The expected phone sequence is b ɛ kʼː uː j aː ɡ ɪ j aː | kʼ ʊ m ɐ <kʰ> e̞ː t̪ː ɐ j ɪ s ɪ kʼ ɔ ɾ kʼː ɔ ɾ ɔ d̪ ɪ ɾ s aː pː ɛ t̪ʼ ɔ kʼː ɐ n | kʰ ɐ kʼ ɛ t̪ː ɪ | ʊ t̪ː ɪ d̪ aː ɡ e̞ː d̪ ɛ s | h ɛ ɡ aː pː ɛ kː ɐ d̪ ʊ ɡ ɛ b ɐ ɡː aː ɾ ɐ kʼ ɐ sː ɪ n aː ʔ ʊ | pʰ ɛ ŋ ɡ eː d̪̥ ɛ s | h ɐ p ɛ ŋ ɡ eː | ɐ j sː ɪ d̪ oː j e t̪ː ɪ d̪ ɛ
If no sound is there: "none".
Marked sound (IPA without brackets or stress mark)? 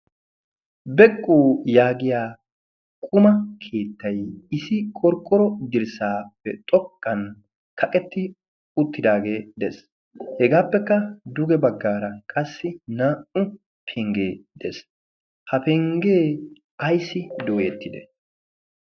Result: kʰ